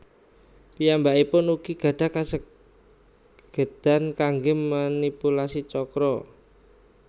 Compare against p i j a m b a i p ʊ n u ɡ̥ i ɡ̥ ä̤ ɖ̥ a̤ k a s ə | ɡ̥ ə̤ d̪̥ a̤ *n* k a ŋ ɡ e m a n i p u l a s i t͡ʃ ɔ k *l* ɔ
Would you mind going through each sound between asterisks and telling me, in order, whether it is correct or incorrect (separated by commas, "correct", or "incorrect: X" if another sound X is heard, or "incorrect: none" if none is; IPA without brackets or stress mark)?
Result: correct, incorrect: ɾ